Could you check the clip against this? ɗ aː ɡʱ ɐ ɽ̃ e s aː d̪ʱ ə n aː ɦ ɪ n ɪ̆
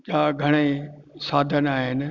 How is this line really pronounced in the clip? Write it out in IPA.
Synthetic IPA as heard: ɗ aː ɡʱ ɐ ɽ̃ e s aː d̪ʱ ə n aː ɦ ɪ n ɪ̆